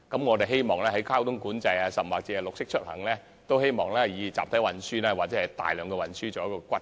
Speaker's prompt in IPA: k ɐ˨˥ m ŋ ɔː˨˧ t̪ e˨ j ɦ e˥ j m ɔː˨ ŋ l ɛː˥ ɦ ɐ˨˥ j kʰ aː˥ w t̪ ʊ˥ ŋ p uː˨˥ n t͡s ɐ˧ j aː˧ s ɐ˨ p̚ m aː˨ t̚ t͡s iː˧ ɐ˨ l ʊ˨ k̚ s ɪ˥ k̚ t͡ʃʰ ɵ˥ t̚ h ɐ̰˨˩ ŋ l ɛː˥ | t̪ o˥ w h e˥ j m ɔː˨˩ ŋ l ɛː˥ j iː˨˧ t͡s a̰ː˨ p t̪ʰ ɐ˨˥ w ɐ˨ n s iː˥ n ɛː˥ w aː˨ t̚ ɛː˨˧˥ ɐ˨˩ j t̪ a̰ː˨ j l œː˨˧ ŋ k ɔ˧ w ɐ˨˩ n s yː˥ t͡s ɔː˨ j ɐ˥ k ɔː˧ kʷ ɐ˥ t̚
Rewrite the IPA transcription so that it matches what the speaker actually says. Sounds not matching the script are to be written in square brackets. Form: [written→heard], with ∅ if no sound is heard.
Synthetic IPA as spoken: k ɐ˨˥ m ŋ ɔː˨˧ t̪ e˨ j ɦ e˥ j m ɔː˨ ŋ l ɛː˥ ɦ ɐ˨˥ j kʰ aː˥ w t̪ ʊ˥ ŋ [p→k] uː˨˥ n t͡s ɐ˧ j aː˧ s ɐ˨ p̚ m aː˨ [t̚→k̚] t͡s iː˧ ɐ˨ l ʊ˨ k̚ s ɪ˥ k̚ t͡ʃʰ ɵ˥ t̚ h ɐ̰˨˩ ŋ l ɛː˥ | t̪ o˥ w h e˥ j m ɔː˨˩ ŋ l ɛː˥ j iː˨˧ t͡s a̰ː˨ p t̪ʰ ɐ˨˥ w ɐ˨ n s [iː˥→yː˥] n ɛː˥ w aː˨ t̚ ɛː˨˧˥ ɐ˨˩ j t̪ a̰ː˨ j l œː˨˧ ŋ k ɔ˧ w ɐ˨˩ n s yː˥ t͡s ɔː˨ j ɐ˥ k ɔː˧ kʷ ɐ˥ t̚